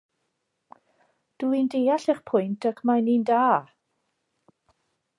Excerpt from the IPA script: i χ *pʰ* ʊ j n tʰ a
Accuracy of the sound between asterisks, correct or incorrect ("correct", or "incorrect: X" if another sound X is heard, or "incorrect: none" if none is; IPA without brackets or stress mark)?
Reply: correct